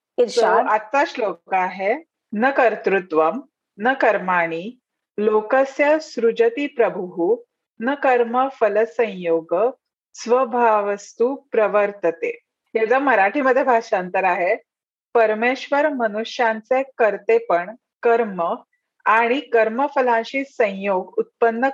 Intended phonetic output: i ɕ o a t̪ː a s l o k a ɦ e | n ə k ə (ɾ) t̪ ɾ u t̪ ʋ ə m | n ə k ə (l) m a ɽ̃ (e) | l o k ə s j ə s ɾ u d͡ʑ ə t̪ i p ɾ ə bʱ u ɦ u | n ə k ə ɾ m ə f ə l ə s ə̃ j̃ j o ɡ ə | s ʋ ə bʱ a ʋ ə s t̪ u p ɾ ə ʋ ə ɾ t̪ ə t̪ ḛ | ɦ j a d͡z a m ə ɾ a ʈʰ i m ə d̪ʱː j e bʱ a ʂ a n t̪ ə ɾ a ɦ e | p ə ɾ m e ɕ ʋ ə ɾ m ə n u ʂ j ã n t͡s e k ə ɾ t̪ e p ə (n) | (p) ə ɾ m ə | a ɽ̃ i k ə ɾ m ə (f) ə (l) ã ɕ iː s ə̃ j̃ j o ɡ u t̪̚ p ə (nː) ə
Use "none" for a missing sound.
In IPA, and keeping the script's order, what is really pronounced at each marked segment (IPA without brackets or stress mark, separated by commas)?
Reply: ɾ, ɾ, i, ɳ, k, f, l, nː